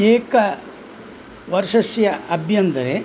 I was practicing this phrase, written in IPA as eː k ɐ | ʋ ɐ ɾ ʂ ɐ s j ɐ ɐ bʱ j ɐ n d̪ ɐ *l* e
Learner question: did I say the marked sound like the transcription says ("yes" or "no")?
no